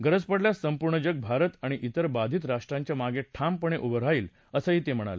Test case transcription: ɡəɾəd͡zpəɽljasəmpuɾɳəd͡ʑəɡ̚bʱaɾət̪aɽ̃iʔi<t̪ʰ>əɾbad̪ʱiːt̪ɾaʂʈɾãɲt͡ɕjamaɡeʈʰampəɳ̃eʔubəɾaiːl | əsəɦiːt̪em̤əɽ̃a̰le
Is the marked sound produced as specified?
no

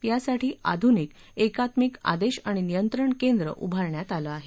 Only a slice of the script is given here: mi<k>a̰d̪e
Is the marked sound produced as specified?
yes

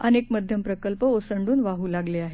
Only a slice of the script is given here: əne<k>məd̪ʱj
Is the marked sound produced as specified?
yes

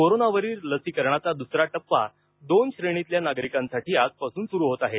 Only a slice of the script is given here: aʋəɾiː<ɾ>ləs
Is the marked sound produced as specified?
yes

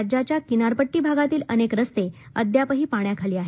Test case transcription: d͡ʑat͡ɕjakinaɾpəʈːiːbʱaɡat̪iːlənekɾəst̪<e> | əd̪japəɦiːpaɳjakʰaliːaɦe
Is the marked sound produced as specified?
yes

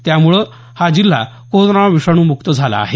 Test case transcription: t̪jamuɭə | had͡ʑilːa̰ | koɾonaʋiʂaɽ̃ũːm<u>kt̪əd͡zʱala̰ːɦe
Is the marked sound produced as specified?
yes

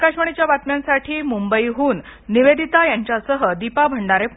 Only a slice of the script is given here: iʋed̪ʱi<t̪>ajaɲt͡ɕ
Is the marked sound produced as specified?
yes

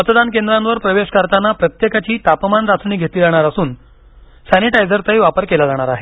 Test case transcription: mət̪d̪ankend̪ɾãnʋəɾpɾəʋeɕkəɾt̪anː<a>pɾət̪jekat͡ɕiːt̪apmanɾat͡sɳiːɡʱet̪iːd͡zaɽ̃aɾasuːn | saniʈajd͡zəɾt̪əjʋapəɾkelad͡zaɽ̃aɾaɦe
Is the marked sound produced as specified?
yes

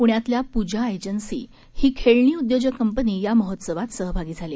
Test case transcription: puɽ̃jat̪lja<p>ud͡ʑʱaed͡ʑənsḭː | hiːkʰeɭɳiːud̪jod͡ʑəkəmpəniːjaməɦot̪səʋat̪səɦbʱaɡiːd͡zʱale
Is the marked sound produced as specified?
yes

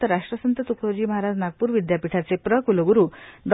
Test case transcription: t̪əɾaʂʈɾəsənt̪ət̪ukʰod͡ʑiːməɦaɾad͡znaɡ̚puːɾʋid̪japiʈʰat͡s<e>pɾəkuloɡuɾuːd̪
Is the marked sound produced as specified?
yes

